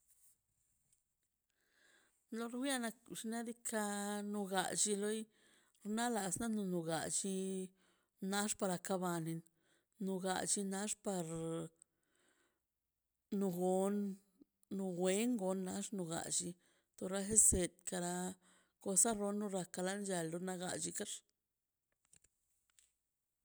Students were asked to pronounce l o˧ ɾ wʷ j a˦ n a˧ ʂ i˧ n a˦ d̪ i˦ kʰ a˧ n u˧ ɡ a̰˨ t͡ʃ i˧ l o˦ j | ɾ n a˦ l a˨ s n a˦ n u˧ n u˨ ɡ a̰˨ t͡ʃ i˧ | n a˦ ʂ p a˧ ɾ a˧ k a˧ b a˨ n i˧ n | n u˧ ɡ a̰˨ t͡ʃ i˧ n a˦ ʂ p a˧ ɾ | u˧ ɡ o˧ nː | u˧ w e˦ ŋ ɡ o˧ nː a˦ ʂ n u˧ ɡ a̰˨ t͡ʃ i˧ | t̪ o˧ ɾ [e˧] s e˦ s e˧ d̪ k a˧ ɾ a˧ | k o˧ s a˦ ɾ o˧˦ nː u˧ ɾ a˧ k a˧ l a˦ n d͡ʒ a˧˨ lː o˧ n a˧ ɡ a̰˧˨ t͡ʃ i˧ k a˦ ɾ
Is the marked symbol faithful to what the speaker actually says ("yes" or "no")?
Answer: no